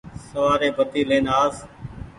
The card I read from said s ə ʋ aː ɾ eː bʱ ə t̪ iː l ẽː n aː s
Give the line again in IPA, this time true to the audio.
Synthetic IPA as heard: s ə ʋ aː ɾ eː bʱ ə t̪ iː l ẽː n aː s